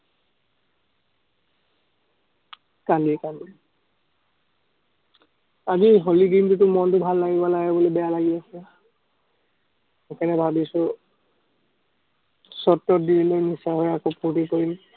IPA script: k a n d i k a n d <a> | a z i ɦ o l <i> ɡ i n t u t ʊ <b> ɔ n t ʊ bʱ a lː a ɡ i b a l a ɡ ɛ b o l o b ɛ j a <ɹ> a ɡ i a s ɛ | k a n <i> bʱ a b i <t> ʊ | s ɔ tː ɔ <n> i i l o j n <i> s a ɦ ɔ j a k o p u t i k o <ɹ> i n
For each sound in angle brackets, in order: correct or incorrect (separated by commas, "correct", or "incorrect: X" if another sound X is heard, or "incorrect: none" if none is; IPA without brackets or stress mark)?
incorrect: i, correct, incorrect: m, incorrect: l, incorrect: ɛ, incorrect: s, incorrect: d, correct, correct